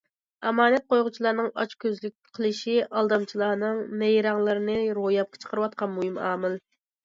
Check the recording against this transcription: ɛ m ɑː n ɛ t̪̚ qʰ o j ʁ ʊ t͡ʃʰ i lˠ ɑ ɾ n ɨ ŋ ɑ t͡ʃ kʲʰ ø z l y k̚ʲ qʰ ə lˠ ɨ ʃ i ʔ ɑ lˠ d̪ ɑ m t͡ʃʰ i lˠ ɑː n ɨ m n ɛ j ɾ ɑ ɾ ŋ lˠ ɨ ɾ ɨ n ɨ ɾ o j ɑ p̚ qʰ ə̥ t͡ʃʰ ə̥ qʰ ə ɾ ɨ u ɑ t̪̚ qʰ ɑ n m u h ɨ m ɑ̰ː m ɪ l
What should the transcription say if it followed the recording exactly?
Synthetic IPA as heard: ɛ m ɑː n ɛ t̪̚ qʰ o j ʁ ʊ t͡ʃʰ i lˠ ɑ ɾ n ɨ ŋ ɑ t͡ʃ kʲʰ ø z l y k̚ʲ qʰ ə lˠ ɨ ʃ i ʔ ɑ lˠ d̪ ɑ m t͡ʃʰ i lˠ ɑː n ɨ ŋ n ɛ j ɾ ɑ ŋ lˠ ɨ ɾ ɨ n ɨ ɾ o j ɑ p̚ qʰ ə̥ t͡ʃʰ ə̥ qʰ ə ɾ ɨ w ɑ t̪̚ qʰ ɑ n m u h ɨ m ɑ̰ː m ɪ l